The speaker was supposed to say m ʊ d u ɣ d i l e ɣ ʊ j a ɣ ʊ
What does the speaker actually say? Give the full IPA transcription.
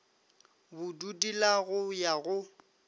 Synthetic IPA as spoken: b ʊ d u d i l a ɣ ʊ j a ɣ ʊ